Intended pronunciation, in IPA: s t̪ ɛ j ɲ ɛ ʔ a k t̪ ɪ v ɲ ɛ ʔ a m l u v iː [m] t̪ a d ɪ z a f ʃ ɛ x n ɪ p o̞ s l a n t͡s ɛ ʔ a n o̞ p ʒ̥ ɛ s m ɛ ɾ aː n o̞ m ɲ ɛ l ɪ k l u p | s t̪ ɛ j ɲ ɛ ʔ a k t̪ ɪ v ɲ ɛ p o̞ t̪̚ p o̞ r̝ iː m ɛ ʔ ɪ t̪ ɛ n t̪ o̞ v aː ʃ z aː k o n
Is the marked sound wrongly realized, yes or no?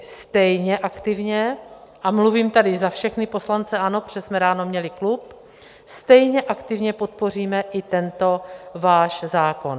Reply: no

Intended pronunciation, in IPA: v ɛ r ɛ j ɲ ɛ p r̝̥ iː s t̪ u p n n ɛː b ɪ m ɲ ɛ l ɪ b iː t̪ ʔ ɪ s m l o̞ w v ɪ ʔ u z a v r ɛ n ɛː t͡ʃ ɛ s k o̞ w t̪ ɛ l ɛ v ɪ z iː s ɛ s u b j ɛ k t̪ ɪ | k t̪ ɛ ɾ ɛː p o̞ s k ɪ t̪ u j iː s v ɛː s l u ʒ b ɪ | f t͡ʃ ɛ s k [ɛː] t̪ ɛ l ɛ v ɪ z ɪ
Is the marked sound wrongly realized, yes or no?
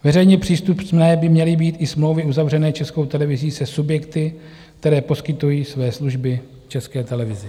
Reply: no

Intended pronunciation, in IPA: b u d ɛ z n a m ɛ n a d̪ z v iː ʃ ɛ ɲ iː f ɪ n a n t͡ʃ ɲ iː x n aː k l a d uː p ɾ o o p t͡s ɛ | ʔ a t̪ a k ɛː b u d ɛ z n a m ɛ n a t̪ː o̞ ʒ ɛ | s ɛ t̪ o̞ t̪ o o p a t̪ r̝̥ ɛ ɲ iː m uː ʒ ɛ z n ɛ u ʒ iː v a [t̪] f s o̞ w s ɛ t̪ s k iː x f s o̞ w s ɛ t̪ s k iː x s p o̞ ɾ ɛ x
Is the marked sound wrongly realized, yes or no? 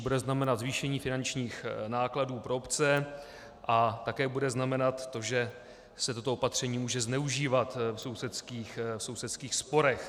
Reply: no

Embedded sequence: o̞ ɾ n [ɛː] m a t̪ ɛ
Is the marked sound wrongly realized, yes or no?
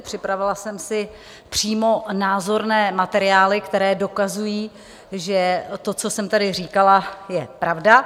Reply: no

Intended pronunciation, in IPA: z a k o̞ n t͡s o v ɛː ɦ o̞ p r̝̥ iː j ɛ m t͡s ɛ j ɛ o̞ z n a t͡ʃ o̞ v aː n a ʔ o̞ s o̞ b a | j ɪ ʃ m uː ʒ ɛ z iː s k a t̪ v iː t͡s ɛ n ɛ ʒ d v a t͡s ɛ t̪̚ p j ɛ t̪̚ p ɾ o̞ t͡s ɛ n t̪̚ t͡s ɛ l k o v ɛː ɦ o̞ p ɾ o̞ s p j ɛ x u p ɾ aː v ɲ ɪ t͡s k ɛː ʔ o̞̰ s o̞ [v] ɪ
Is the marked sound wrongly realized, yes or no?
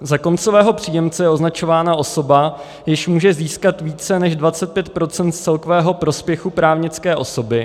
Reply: yes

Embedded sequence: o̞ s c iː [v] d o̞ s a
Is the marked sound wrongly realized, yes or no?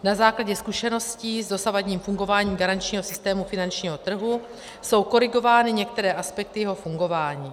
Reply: yes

